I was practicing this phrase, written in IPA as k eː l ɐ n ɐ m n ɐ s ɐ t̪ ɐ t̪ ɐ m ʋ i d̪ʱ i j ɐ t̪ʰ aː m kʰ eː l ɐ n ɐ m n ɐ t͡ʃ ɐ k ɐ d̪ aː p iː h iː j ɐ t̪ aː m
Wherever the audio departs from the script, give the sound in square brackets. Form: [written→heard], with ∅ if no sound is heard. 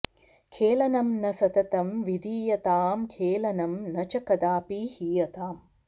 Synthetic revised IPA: [k→kʰ] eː l ɐ n ɐ m n ɐ s ɐ t̪ ɐ t̪ ɐ m ʋ i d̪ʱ [i→iː] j ɐ [t̪ʰ→t̪] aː m kʰ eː l ɐ n ɐ m n ɐ t͡ʃ ɐ k ɐ d̪ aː p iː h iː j ɐ t̪ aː m